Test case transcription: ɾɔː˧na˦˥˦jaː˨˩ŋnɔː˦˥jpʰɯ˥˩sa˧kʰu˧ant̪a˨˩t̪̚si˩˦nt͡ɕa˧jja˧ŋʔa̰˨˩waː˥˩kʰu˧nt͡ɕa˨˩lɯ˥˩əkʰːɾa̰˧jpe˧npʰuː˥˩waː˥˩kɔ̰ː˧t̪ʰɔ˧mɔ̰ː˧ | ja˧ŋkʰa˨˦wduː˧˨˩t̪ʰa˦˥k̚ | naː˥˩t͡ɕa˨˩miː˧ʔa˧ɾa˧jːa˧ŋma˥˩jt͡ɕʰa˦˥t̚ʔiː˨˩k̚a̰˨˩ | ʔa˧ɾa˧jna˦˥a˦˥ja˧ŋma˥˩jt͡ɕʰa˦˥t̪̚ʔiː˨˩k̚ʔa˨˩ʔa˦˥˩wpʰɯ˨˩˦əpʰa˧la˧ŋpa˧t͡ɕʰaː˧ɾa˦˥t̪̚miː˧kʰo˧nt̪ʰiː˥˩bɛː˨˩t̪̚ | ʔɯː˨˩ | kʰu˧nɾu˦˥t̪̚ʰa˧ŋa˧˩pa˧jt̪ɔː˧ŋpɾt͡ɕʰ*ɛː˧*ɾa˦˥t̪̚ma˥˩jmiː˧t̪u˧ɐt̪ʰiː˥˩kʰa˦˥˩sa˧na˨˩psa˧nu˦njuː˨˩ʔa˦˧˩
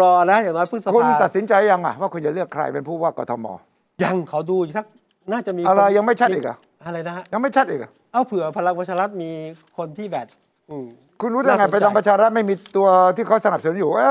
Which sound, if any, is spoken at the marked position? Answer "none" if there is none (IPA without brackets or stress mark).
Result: aː˧